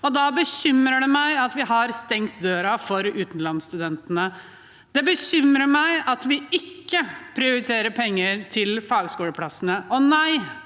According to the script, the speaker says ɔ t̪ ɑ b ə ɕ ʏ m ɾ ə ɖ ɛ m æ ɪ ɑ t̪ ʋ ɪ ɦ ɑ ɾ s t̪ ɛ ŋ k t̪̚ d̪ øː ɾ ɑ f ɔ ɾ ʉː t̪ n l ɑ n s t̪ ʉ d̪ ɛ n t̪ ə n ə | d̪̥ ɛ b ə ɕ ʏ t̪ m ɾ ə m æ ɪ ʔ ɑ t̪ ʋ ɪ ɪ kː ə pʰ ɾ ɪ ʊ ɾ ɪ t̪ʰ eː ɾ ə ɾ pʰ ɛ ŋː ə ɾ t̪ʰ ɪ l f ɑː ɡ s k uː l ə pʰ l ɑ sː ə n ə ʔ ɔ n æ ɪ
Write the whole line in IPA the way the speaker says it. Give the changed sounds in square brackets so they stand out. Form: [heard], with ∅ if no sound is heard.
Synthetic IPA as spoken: ɔ [d̪] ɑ b ə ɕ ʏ m ɾ ə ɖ ɛ m æ ɪ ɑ t̪ ʋ ɪ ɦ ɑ ɾ s t̪ ɛ ŋ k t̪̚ d̪ øː ɾ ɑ f ɔ ɾ ʉː t̪ n l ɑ n s t̪ ʉ d̪ ɛ n t̪ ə n ə | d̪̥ ɛ b ə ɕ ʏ [∅] m ɾ ə m æ ɪ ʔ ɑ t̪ ʋ ɪ ɪ kː ə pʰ ɾ ɪ ʊ ɾ ɪ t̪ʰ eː ɾ ə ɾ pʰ ɛ ŋː ə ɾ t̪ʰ ɪ l f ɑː ɡ s k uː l ə pʰ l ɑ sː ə n ə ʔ ɔ n æ ɪ

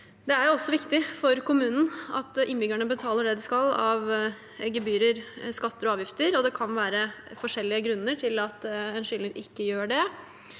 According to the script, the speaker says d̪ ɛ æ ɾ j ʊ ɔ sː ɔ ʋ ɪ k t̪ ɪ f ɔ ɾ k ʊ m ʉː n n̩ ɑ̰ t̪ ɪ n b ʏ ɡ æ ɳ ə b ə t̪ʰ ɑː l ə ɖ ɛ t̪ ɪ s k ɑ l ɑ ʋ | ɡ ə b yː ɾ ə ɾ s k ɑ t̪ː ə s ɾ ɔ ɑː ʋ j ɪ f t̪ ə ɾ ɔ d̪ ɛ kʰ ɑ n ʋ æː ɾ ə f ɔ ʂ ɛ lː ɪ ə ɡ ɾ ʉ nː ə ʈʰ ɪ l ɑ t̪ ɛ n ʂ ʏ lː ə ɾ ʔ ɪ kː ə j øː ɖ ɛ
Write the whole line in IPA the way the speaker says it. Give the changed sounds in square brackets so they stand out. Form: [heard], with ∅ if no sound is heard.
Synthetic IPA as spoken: d̪ ɛ æ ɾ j ʊ ɔ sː ɔ ʋ ɪ k t̪ ɪ f ɔ ɾ k ʊ m ʉː n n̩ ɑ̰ t̪ ɪ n b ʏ ɡ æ ɳ ə b ə t̪ʰ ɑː l ə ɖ ɛ [d̪] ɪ s k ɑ l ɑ ʋ | ɡ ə b yː ɾ ə ɾ s k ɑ t̪ː ə [∅] ɾ ɔ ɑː ʋ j ɪ f t̪ ə ɾ ɔ d̪ ɛ kʰ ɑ n ʋ æː ɾ ə f ɔ ʂ ɛ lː ɪ ə ɡ ɾ ʉ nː ə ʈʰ ɪ l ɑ t̪ ɛ n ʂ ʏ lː ə ɾ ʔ ɪ kː ə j øː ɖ ɛ

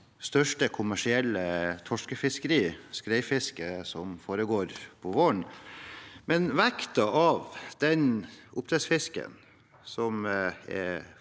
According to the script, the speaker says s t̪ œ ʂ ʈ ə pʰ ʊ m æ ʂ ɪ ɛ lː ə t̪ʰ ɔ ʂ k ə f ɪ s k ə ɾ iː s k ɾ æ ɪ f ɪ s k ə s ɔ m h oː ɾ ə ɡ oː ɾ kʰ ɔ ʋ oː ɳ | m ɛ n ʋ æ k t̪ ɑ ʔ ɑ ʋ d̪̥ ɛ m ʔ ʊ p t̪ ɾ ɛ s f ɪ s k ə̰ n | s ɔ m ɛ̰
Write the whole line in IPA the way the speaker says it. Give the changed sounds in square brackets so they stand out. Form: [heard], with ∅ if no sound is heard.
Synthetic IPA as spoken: s t̪ œ ʂ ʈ ə [kʰ] ʊ m æ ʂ ɪ ɛ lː ə t̪ʰ ɔ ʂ k ə f ɪ s k ə ɾ iː s k ɾ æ ɪ f ɪ s k ə s ɔ m [f] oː ɾ ə ɡ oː ɾ [pʰ] ɔ ʋ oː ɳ | m ɛ n ʋ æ k t̪ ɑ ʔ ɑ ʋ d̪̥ ɛ [n] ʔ ʊ p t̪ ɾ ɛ s f ɪ s k ə̰ n | s ɔ m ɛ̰

